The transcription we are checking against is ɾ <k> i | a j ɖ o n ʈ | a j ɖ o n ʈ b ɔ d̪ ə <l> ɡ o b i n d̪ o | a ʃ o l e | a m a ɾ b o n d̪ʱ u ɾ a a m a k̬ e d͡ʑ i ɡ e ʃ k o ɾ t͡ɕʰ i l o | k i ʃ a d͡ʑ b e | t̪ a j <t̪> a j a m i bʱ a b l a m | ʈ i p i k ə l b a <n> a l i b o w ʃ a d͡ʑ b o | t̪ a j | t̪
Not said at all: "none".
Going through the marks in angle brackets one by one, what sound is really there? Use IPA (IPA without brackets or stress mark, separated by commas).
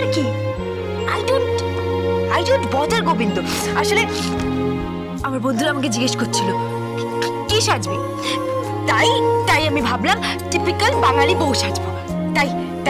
k, ɾ, t̪, ŋ